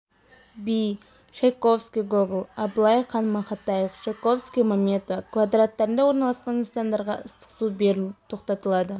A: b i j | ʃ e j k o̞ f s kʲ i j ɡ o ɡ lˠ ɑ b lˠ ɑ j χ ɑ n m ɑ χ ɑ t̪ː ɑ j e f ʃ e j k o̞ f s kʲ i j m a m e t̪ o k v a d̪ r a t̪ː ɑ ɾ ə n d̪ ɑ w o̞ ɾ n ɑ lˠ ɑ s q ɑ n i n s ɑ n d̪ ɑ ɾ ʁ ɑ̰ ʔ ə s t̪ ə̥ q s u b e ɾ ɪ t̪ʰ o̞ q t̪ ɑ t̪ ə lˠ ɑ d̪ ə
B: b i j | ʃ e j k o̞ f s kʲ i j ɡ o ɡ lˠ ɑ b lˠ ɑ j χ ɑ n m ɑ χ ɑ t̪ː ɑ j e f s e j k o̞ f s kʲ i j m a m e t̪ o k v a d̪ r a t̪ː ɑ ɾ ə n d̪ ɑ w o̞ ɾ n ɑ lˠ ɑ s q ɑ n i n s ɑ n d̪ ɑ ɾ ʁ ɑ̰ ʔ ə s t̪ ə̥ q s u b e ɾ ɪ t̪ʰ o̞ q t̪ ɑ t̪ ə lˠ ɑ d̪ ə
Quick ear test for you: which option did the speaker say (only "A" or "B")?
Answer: A